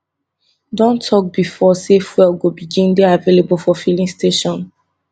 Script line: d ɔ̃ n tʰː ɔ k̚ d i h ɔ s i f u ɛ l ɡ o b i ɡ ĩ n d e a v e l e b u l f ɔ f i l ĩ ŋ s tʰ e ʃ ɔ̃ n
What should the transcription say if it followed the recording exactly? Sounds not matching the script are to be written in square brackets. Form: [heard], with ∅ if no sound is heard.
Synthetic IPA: d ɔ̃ n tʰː ɔ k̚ [b] i [f] ɔ s [e] f [w] ɛ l ɡ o b i ɡ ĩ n d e a v e l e b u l f ɔ f i l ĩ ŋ s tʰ e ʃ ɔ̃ n